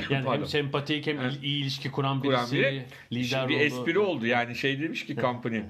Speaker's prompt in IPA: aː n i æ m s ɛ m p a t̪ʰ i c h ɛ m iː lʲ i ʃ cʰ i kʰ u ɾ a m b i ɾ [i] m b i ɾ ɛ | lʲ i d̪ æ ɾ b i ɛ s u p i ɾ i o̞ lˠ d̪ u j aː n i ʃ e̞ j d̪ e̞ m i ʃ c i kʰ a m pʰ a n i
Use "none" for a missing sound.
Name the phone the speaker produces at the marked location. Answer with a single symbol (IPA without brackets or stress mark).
a